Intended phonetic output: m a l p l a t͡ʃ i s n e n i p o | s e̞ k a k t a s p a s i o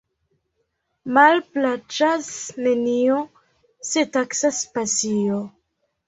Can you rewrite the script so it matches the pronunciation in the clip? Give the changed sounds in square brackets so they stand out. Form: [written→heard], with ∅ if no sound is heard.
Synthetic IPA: m a l p l a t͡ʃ [i→a] s n e n i [p→∅] o | s e̞ [k→t] a k [t→s] a s p a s i o